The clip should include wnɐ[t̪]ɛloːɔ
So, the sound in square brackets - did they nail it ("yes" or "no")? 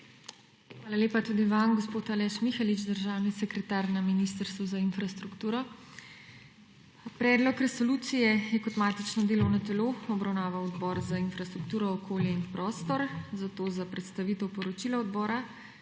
yes